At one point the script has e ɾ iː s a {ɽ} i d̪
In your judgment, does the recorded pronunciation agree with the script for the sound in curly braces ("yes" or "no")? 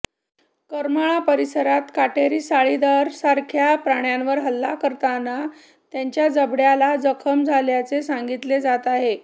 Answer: no